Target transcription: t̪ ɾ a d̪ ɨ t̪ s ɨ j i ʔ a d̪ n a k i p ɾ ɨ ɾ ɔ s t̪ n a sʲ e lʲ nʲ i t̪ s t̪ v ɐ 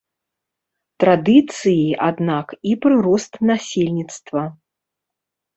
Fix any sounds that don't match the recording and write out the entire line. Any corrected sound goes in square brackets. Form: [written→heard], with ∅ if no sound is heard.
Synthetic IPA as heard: t̪ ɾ a d̪ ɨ t̪ s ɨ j i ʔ a d̪ n a k i p ɾ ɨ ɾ ɔ s t̪ n a sʲ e lʲ nʲ i t̪ s t̪ v ɐ